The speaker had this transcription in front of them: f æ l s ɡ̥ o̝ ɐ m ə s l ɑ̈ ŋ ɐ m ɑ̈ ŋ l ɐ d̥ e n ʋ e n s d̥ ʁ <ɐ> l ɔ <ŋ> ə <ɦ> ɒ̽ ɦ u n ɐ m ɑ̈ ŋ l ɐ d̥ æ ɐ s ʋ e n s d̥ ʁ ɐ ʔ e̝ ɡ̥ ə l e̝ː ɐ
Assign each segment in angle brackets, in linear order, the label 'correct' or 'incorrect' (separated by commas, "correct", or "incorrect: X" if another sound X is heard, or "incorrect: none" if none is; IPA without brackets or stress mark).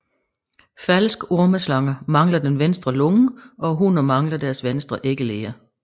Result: correct, correct, incorrect: none